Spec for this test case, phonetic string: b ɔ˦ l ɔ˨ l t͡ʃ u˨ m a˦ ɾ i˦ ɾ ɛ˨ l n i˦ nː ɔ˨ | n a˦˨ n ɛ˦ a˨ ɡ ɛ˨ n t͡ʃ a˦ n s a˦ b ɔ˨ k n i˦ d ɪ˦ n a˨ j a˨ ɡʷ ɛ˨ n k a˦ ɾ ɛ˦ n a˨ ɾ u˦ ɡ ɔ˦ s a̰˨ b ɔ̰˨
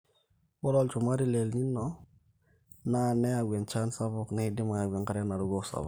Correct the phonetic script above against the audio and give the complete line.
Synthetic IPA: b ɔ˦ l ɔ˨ l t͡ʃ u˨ m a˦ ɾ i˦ l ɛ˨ l n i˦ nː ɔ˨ | n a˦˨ n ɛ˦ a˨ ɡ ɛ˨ n t͡ʃ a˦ n s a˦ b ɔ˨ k n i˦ d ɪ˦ m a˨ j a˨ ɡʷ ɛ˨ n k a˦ ɾ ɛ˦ n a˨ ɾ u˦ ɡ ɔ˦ s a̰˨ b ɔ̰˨